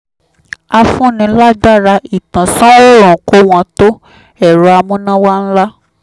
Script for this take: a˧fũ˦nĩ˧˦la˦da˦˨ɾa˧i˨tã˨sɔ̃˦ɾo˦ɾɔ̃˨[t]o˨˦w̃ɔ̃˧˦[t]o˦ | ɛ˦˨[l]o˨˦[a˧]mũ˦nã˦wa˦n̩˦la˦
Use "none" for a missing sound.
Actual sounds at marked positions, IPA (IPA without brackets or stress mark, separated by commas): k, t, ɾ, a˧